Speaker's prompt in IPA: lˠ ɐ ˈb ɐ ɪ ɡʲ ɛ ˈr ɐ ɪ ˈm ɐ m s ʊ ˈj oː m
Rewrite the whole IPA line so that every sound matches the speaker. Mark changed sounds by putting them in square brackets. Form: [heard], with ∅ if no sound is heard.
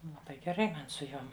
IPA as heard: lˠ ɐ ˈb ɐ ɪ ɡʲ ɛ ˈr ɐ ɪ ˈm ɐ [n] s ʊ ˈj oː m